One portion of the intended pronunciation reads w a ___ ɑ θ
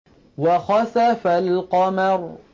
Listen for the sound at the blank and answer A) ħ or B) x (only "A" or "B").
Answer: B